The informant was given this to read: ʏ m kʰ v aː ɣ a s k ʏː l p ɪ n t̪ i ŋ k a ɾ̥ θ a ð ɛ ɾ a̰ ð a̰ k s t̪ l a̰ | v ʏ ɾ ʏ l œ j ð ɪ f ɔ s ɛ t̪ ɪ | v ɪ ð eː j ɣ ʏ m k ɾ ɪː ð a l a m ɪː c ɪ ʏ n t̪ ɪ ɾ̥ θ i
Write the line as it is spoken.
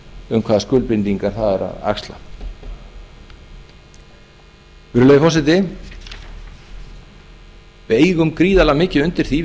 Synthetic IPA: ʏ m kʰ v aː ð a s k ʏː l p ɪ n t̪ i ŋ k a ɾ̥ θ a ð ɛ ɾ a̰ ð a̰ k s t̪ l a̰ | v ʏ ɾ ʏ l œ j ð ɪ f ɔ s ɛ t̪ ɪ | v ɪ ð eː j ɣ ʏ m k ɾ iː ð a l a m ɪː c ɪ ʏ n t̪ ɪ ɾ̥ θ i